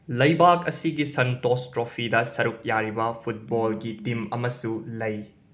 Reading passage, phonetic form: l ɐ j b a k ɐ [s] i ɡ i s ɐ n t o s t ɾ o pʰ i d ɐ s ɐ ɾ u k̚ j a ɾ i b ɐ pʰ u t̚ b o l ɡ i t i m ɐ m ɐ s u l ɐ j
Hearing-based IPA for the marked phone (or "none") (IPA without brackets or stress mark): s